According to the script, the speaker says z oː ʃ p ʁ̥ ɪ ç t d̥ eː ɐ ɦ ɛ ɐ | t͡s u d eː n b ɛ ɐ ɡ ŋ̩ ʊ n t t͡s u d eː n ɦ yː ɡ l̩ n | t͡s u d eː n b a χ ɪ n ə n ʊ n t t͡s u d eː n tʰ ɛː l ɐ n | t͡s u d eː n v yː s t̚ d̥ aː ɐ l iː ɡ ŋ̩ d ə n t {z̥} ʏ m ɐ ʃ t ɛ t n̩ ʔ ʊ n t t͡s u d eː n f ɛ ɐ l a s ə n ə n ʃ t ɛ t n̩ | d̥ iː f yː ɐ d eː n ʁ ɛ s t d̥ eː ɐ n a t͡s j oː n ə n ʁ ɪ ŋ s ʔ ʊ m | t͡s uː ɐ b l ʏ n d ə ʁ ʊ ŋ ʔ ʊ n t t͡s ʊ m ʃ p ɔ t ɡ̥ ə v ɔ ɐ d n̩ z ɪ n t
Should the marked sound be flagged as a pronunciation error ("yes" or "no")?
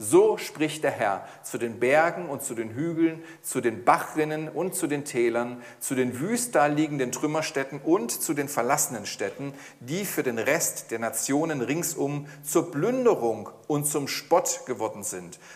yes